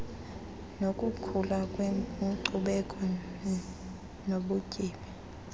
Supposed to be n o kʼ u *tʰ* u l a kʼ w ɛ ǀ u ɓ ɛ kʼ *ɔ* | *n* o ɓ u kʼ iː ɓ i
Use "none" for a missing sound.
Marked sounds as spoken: kʰ, ɔ, n

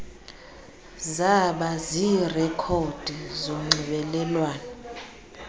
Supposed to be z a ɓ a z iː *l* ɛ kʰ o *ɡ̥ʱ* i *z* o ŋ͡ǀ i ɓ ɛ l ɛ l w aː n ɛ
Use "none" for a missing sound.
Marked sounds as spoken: r, d̥ʱ, z

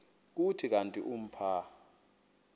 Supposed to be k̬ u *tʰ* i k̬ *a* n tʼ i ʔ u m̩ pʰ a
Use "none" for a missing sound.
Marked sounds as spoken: tʰ, a

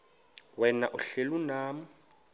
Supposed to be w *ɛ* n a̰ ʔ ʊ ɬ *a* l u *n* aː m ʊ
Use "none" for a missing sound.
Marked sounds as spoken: ɛ, e, n

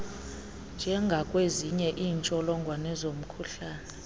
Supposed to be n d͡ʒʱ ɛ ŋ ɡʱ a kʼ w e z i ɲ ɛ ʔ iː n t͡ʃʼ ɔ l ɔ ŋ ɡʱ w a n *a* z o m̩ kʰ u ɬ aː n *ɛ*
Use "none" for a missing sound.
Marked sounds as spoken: ɛ, ɛ

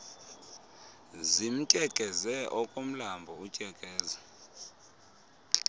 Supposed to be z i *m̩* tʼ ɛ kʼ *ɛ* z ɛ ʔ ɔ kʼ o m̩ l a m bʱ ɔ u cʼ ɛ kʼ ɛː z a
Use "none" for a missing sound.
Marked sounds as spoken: m̩, ɛ

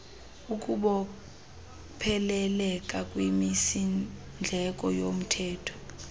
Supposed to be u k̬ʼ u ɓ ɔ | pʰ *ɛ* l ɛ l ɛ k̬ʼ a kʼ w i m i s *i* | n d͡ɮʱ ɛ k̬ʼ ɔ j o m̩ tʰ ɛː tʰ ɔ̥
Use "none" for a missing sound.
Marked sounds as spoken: ɛ, i

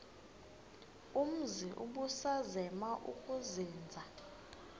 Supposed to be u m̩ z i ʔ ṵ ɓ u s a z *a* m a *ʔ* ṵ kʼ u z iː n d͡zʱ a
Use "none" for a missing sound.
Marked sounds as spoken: ɛ, ʔ

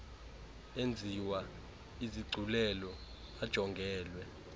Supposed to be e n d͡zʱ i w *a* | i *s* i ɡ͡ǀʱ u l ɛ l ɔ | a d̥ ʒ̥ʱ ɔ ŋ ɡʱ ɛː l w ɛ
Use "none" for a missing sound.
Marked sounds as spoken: a, z

